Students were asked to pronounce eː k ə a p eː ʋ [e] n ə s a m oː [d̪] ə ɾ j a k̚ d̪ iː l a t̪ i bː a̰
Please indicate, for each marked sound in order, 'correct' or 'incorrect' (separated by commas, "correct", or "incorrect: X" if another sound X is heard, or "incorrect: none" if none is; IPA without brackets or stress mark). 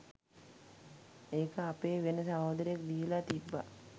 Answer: correct, correct